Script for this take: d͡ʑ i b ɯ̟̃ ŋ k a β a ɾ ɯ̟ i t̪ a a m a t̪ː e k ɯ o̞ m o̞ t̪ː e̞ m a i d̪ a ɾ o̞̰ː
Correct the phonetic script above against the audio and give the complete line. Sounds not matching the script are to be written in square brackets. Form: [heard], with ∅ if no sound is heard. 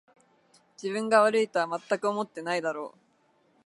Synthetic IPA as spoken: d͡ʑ i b ɯ̟̃ ŋ [ɡ] a β a ɾ ɯ̟ i t̪ a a m a t̪ː [a] k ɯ o̞ m o̞ t̪ː e̞ [n] a i d̪ a ɾ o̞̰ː